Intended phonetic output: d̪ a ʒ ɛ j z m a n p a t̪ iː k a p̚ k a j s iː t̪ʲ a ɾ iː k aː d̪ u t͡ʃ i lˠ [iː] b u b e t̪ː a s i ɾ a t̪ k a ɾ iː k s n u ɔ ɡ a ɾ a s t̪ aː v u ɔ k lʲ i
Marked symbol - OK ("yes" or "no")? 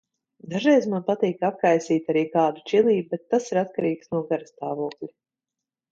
yes